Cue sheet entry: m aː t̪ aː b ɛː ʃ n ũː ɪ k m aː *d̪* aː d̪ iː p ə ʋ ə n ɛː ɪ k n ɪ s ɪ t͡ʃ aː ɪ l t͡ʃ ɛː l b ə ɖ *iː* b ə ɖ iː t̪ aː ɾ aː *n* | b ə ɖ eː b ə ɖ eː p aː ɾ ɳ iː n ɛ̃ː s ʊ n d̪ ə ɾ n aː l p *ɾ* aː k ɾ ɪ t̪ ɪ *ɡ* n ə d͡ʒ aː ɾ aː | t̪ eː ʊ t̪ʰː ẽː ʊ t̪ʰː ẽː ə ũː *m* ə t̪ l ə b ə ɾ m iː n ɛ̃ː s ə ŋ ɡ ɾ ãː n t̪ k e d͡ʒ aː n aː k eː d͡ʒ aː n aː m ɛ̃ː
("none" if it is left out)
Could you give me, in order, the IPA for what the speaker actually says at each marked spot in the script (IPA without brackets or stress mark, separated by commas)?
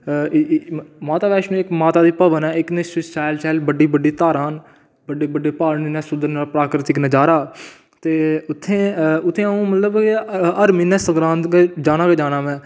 t̪, iː, n, ɾ, k, m